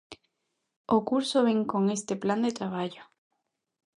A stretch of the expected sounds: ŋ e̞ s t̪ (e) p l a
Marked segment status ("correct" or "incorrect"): correct